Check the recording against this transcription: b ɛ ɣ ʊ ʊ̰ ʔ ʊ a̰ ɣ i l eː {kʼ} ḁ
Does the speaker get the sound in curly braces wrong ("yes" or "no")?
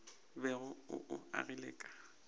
no